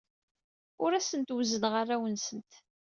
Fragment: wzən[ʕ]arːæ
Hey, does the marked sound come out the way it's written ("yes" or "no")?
no